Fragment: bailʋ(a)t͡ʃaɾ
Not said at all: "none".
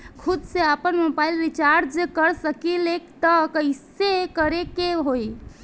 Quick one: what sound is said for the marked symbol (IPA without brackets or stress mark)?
i